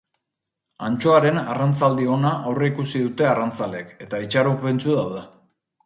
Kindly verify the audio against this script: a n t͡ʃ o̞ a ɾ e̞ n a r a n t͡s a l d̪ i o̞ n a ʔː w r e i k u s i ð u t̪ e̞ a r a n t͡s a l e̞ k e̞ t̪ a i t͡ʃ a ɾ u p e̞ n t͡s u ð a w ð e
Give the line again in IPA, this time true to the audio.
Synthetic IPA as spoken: a n t͡ʃ o̞ a ɾ e̞ n a r a n t͡s a l d̪ i o̞ n a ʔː w r e i k u s i ð u t̪ e̞ a r a n t͡s a l e̞ k e̞ t̪ a i t͡ʃ a ɾ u p e̞ n t͡s u ð a w ð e